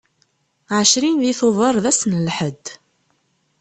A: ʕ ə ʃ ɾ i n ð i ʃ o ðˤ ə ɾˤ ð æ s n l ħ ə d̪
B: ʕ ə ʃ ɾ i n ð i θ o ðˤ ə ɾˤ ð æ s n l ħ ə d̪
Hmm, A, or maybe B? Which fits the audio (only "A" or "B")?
B